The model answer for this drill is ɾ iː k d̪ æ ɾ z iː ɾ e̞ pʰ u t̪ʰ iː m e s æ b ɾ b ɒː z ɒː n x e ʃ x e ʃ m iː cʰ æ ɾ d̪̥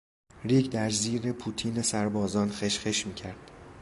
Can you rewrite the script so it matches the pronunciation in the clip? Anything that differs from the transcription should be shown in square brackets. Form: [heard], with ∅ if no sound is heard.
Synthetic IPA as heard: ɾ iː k d̪ æ ɾ z iː ɾ e̞ pʰ u t̪ʰ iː [n] e s æ [∅] ɾ b ɒː z ɒː n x e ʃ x e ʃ m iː cʰ æ ɾ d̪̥